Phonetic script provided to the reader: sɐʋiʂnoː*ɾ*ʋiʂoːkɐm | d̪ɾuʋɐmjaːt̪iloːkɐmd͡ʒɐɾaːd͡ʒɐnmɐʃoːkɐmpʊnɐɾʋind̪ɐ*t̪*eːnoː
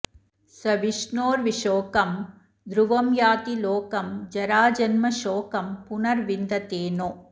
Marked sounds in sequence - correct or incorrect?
correct, correct

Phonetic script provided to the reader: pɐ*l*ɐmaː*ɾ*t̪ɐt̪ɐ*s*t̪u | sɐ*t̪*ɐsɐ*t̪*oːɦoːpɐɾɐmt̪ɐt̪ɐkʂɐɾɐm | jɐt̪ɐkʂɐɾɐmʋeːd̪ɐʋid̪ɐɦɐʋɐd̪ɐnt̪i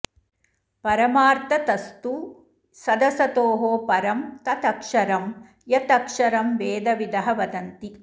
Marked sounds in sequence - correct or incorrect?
incorrect: ɾ, correct, correct, incorrect: d̪, correct

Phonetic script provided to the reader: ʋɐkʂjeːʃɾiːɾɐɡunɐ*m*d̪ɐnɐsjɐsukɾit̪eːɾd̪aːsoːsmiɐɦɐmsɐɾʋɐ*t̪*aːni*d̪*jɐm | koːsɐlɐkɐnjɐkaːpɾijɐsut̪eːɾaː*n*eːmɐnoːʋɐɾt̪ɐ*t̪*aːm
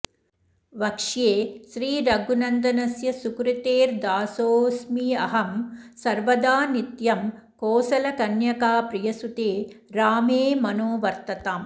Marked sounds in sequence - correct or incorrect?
incorrect: n, incorrect: d̪, incorrect: t̪, incorrect: m, correct

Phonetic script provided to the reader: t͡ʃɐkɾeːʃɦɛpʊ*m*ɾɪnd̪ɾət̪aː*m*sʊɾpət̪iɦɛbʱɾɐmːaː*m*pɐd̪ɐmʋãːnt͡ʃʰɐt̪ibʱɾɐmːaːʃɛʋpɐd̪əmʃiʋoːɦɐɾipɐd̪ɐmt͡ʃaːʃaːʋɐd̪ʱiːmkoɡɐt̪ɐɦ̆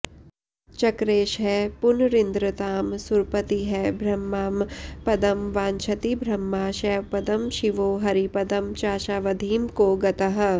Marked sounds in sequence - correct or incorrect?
incorrect: n, correct, correct

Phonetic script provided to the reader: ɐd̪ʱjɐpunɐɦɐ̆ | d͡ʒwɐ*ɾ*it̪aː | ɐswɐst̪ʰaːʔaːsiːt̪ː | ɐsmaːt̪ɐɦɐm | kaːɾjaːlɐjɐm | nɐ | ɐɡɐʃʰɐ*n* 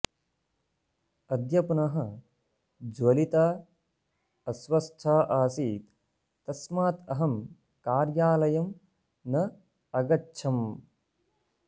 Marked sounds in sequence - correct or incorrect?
incorrect: l, incorrect: m

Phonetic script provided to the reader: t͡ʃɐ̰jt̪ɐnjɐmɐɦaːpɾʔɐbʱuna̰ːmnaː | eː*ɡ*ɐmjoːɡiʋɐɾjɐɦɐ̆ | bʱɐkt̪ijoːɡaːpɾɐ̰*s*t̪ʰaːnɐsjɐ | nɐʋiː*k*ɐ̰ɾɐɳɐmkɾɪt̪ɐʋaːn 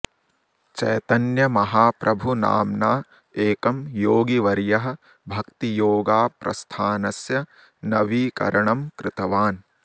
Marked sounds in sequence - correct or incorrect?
incorrect: k, correct, correct

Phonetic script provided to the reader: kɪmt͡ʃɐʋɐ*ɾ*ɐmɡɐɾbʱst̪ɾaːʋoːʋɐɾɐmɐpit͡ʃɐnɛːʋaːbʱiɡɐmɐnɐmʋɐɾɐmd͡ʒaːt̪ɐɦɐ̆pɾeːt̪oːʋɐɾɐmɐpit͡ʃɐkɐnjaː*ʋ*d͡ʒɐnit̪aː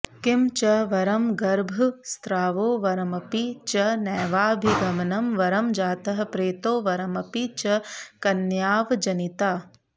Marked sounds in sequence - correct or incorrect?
correct, correct

